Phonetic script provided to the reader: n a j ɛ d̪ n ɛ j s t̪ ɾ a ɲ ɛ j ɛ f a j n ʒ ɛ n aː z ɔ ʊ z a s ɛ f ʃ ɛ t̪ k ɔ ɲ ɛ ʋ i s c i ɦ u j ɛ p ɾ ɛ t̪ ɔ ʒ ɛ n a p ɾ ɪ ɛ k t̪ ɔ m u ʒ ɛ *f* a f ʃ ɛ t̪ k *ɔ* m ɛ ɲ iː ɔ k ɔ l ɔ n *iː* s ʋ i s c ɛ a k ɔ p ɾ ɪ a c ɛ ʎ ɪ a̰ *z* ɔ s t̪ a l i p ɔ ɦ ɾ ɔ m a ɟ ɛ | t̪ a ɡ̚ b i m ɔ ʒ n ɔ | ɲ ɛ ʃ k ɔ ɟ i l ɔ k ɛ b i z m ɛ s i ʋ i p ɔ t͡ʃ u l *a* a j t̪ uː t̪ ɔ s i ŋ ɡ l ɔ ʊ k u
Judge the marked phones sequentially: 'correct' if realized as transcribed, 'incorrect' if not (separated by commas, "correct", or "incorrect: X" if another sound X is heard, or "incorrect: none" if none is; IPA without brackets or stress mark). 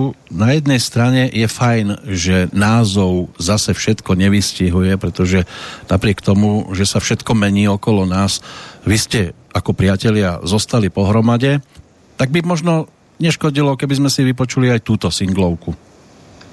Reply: incorrect: s, correct, incorrect: aː, correct, incorrect: i